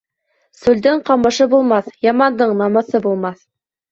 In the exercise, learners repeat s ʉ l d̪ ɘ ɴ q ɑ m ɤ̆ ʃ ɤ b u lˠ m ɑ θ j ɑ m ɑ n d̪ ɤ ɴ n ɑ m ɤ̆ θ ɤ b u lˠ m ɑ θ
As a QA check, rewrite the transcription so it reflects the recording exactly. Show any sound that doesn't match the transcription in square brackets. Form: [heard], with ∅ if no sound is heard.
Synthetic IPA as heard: s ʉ l d̪ ɘ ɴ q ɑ m ɤ̆ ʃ ɤ b u lˠ m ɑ θ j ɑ m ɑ n d̪ ɤ ɴ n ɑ m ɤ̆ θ ɤ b u lˠ m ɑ θ